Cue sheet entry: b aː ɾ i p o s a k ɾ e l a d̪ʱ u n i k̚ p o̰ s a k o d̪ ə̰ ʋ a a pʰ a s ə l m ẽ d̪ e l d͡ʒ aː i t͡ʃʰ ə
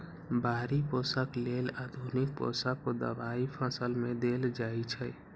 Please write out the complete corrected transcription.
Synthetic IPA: b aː ɾ i p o s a k l e l a d̪ʱ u n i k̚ p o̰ s a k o d̪ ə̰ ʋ a i pʰ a s ə l m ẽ d̪ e l d͡ʒ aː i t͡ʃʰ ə